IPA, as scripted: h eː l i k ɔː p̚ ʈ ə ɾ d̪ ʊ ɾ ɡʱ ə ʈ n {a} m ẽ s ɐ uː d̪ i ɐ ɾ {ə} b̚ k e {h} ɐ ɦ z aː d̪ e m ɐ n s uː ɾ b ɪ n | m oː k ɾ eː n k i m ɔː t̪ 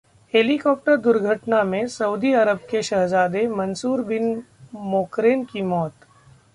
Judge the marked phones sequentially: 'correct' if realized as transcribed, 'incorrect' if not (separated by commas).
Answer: correct, correct, incorrect